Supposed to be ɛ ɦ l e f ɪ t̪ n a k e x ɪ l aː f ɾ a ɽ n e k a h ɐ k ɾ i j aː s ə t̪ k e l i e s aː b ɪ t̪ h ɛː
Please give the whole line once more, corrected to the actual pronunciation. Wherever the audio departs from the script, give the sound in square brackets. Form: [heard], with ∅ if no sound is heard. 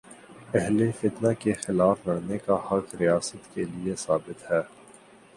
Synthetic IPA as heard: ɛ ɦ l e f ɪ t̪ n a k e x ɪ l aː f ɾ [ɐ] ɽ n e k a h ɐ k ɾ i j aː s ə t̪ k e l i e s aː b ɪ t̪ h ɛː